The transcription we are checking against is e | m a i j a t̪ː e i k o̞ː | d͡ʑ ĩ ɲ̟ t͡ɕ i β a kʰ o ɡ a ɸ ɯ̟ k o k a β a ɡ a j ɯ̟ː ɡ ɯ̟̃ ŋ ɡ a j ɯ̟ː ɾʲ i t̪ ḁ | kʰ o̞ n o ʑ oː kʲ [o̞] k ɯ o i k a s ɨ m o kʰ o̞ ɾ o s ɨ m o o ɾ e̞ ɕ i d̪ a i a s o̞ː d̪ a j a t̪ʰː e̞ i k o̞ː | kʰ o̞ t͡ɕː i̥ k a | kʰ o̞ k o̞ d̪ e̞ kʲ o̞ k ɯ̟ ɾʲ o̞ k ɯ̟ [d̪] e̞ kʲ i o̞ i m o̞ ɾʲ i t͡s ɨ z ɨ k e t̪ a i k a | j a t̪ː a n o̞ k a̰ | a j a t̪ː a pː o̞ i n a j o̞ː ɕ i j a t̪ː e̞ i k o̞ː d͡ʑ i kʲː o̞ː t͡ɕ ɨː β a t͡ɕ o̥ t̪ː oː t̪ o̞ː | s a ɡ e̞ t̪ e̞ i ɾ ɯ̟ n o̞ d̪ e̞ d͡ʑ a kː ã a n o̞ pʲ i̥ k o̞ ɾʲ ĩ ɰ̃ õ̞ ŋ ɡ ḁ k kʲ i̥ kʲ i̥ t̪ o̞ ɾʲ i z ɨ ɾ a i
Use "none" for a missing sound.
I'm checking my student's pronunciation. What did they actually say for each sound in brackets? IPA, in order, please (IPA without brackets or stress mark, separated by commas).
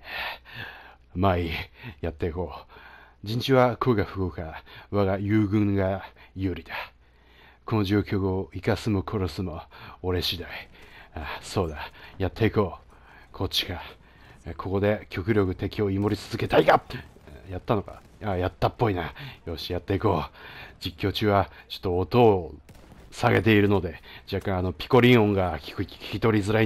o̞, t̪